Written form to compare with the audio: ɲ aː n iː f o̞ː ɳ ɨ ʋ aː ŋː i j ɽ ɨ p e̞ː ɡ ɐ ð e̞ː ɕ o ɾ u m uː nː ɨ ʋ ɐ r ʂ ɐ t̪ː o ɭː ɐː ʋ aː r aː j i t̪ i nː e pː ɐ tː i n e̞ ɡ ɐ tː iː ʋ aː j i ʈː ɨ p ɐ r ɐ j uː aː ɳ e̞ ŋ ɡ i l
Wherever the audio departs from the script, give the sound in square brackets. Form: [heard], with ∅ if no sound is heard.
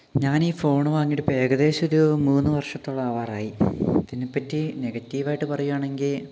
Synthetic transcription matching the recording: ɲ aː n iː f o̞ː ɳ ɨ ʋ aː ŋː i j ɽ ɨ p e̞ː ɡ ɐ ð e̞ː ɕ o ɾ u m uː nː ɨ ʋ ɐ r ʂ ɐ t̪ː o ɭː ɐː ʋ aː r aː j i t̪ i nː e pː ɐ tː i n e̞ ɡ ɐ tː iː ʋ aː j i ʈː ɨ p ɐ r ɐ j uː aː ɳ e̞ ŋ ɡ i l